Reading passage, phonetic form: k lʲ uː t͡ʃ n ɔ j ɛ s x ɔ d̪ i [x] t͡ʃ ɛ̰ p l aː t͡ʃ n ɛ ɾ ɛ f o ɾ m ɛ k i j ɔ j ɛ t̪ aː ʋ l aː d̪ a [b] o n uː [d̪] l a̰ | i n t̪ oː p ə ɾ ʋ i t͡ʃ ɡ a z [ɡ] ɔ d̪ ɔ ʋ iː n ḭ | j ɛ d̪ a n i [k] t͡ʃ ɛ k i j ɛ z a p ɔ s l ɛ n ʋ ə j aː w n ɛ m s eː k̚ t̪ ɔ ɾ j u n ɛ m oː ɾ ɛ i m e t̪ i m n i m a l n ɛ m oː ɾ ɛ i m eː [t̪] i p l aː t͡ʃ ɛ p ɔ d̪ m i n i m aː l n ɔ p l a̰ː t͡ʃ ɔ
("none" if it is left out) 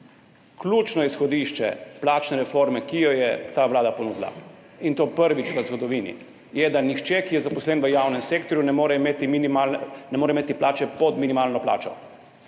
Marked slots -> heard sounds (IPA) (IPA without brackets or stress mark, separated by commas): ʃ, p, d̪, ɡ, x, t̪